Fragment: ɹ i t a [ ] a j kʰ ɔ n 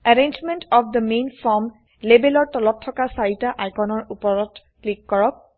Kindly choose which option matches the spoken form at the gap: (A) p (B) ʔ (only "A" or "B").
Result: B